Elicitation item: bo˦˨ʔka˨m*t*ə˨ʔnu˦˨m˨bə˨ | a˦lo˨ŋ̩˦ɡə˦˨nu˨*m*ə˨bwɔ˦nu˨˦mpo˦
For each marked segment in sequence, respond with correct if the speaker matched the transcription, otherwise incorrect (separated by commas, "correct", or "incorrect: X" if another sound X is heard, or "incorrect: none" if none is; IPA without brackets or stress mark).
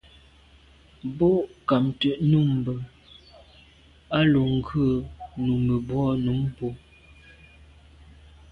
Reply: correct, correct